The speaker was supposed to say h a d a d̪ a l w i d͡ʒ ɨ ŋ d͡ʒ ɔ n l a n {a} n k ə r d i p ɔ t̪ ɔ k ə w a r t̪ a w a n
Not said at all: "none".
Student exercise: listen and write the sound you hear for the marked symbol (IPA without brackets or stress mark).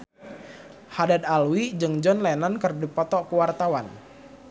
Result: a